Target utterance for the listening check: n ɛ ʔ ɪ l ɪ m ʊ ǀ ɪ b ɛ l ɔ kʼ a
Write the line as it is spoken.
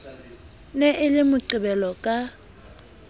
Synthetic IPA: n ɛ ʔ ɪ l ɪ m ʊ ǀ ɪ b ɛ l ɔ kʼ a